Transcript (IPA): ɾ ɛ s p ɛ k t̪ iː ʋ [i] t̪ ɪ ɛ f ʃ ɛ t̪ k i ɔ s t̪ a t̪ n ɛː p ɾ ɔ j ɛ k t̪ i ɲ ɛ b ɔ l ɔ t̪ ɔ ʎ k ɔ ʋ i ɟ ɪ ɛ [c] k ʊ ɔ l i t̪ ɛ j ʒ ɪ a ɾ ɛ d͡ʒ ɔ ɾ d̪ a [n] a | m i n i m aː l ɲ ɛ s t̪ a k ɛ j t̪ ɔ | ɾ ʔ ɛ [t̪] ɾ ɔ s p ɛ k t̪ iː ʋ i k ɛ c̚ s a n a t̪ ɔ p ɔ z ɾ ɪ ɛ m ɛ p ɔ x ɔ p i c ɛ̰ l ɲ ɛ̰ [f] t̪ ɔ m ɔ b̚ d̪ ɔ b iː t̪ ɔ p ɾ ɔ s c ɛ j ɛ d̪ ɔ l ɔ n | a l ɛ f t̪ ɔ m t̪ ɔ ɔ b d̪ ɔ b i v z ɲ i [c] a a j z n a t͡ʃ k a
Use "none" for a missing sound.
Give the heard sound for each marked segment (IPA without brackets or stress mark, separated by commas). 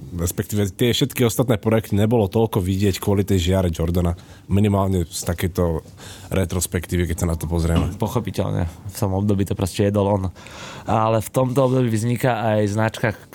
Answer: ɛ, c, n, t̪, f, k